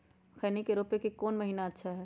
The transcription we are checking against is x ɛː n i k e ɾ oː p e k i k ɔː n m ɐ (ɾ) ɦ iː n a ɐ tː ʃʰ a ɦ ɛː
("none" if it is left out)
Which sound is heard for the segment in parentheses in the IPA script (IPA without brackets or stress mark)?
none